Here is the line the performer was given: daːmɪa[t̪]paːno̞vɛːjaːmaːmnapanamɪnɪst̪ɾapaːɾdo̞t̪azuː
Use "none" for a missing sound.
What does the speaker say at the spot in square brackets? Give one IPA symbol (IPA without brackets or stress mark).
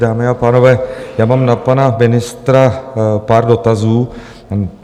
none